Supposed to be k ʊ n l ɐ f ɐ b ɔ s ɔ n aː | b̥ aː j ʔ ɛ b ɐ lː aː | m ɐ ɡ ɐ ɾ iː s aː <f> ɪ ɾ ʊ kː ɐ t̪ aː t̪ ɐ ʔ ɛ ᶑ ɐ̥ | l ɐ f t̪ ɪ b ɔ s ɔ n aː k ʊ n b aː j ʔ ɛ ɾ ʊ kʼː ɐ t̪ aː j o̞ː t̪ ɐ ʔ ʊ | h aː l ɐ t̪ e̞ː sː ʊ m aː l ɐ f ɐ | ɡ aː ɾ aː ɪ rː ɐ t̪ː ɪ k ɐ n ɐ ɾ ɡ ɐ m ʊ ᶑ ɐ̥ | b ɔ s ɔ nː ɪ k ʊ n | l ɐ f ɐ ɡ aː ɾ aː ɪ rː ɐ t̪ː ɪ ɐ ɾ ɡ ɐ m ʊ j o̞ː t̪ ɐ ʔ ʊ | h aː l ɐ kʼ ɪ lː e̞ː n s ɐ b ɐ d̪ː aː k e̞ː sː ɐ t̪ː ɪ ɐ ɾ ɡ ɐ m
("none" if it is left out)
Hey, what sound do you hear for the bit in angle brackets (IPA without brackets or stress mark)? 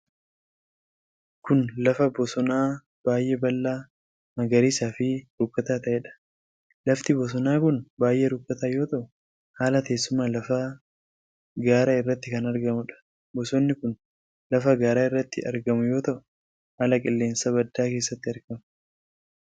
f